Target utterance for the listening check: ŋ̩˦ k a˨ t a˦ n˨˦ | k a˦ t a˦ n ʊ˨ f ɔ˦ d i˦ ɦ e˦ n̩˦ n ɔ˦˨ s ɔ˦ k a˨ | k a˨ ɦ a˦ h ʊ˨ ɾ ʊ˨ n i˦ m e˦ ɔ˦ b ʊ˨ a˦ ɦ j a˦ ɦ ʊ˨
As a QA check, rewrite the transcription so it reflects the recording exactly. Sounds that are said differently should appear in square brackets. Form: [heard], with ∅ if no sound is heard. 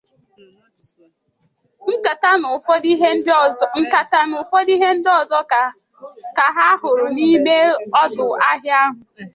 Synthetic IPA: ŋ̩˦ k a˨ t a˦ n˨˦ | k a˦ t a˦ n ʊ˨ f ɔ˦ d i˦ ɦ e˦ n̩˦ [d] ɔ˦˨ [z] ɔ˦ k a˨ | k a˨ ɦ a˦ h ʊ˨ ɾ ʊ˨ n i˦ m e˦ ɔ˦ [d] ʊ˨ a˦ ɦ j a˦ ɦ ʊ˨